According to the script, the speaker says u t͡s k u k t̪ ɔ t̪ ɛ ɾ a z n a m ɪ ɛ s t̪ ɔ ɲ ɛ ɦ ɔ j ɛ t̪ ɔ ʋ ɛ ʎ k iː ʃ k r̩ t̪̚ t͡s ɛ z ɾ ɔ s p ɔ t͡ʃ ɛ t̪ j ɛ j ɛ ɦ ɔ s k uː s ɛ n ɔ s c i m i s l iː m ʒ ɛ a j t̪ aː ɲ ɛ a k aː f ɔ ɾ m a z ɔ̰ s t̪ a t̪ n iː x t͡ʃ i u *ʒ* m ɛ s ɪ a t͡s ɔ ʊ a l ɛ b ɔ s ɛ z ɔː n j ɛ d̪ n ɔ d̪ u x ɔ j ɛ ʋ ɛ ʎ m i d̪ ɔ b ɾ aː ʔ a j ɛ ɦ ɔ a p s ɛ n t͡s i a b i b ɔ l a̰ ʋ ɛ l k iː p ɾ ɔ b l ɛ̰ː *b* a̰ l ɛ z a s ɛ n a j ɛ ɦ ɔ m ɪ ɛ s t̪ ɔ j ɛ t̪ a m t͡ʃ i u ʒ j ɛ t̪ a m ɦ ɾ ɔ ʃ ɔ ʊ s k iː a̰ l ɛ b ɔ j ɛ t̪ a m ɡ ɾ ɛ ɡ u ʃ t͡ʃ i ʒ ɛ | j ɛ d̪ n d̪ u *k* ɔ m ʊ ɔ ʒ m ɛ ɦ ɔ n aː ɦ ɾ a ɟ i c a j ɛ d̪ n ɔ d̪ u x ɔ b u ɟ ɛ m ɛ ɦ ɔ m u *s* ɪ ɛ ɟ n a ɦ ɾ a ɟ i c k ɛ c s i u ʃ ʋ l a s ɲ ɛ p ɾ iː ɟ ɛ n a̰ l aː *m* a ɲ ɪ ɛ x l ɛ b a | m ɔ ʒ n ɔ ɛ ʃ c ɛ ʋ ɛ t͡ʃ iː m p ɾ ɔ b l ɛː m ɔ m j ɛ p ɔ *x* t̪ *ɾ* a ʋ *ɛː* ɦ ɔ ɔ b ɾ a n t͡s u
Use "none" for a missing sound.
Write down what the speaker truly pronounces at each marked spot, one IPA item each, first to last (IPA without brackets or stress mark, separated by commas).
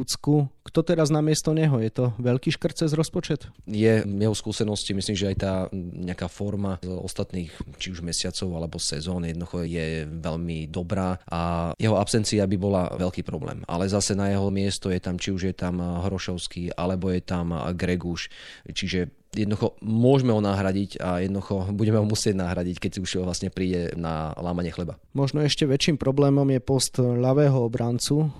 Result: ʒ, m, x, s, m, s, ʎ, ɛː